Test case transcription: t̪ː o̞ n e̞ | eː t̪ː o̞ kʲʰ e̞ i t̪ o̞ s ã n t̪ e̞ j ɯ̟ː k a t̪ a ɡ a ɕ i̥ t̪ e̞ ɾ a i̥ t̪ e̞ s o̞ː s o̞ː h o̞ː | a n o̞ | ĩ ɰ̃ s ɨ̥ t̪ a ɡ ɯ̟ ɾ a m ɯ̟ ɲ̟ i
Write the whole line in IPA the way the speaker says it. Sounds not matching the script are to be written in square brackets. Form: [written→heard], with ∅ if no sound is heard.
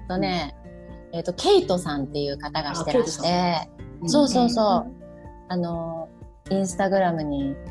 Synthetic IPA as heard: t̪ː o̞ n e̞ | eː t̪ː o̞ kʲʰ e̞ i t̪ o̞ s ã n t̪ e̞ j ɯ̟ː k a t̪ a ɡ a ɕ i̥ t̪ e̞ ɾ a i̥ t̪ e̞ s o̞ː s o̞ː [h→s] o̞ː | a n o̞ | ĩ ɰ̃ s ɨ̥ t̪ a ɡ ɯ̟ ɾ a m ɯ̟ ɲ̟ i